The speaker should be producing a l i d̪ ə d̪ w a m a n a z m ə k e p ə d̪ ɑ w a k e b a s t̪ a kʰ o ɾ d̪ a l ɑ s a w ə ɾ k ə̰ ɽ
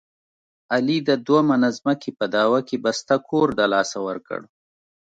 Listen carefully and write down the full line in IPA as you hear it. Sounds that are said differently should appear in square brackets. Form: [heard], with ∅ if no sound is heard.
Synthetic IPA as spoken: a l i d̪ ə d̪ w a m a n a z m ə k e p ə d̪ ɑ w a k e b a s t̪ a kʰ o ɾ d̪ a l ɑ s a w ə ɾ k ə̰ ɽ